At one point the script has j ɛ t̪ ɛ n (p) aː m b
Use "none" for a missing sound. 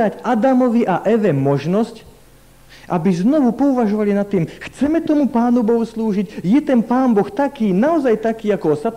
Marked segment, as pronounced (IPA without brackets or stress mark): p